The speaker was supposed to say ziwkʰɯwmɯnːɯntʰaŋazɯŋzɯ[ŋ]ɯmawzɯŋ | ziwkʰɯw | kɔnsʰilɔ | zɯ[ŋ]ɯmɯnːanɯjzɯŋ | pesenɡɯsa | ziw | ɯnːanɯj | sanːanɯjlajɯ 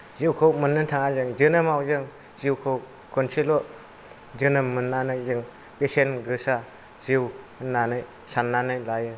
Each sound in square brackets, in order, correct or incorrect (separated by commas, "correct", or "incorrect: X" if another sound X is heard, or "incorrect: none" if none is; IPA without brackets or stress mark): incorrect: n, incorrect: n